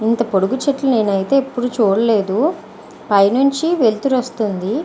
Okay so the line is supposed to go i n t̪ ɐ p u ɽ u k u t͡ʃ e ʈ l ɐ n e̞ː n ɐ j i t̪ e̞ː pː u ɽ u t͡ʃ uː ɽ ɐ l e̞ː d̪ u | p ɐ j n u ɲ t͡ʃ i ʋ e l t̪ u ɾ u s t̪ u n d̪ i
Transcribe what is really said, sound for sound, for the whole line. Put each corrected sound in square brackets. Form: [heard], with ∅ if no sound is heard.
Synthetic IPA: i n t̪ ɐ p [o] ɽ u [ɡ] u t͡ʃ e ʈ l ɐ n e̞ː n ɐ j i t̪ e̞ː pː u ɽ u t͡ʃ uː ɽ ɐ l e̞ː d̪ u | p ɐ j n u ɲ t͡ʃ i ʋ e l t̪ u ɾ [o] s t̪ u n d̪ i